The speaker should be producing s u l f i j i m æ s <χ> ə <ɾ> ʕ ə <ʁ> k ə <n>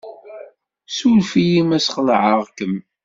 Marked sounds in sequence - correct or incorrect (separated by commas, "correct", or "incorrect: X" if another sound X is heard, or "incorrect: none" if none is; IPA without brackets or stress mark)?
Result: correct, incorrect: l, correct, incorrect: m